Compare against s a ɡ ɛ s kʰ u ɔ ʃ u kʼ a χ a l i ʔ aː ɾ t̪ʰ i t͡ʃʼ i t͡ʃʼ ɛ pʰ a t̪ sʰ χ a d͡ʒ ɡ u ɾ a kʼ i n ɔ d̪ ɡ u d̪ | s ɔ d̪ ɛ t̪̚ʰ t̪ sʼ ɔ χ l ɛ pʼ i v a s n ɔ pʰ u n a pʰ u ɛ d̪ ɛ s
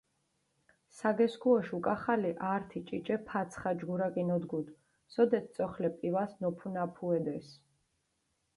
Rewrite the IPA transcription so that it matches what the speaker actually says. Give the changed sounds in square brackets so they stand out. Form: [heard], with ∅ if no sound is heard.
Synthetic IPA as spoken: s a ɡ ɛ s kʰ u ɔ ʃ u kʼ a χ a l i ʔ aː ɾ t̪ʰ i t͡ʃʼ i t͡ʃʼ ɛ pʰ a t̪ sʰ χ a d͡ʒ ɡ u ɾ a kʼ i n ɔ d̪ ɡ u d̪ | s ɔ d̪ ɛ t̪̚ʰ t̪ sʼ ɔ χ l ɛ pʼ i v a s n ɔ pʰ u n a pʰ u ɛ d̪ ɛ s